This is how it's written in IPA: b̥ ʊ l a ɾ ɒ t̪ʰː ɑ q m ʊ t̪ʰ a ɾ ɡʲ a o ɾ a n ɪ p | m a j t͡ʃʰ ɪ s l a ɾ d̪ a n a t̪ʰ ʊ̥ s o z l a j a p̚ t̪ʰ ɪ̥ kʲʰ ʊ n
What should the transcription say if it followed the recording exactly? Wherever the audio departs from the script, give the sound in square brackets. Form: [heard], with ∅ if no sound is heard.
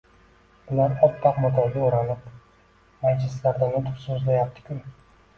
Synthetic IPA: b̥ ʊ l a ɾ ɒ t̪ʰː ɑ q m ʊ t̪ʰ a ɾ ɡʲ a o ɾ a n ɪ p | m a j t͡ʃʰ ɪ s l a ɾ d̪ a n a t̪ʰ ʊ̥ s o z l a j a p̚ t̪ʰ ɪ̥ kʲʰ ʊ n